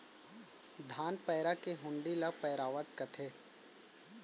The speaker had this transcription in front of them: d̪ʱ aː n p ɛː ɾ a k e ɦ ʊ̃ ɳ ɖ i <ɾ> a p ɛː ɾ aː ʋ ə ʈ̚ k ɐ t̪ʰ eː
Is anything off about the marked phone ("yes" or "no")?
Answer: yes